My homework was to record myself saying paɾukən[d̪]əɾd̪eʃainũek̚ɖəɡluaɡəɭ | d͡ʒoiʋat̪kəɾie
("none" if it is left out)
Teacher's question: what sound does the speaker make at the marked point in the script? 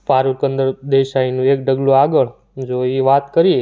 d̪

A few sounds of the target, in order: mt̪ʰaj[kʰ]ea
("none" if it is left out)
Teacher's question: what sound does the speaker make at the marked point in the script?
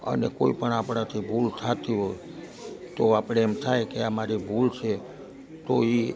k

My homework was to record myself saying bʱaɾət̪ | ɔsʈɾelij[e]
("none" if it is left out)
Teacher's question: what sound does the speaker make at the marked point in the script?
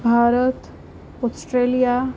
a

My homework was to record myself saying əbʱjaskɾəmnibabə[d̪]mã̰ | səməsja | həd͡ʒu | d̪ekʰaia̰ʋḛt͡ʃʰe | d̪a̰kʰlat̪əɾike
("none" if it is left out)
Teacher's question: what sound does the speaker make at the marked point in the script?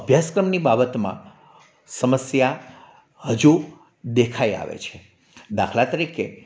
t̪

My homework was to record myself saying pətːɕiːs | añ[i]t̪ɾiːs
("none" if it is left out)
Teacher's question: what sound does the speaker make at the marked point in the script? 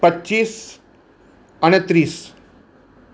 e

